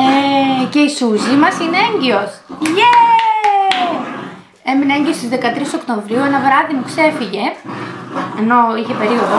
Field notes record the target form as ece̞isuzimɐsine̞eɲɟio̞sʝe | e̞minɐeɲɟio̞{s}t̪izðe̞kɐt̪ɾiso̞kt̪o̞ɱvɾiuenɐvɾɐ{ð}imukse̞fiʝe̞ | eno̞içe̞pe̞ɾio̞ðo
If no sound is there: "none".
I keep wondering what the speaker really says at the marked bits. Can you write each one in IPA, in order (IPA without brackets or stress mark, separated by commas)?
s, ð